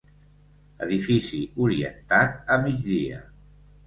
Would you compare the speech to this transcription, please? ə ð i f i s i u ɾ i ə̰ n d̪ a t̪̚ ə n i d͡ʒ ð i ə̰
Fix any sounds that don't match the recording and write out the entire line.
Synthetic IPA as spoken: ə ð i f i s i u ɾ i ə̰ n t̪ a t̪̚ ə m i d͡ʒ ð i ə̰